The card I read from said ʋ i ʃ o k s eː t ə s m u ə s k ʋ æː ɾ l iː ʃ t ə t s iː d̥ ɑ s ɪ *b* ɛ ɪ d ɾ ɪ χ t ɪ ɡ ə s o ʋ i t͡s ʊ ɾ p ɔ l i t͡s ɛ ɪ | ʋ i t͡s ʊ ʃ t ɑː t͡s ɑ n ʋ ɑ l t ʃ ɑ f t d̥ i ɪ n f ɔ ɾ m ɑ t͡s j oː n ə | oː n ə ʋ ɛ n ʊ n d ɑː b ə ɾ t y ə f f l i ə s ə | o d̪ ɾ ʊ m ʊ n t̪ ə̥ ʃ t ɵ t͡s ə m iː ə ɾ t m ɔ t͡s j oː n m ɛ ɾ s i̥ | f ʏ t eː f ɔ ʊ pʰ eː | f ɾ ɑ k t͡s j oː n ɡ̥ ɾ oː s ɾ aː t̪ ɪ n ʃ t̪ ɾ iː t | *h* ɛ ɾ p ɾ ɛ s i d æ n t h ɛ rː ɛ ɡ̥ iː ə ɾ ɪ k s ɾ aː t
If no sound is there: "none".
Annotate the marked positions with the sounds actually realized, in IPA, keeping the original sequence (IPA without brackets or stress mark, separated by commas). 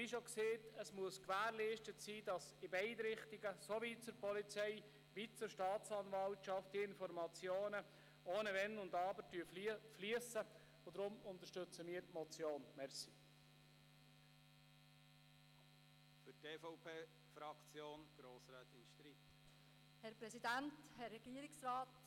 b, h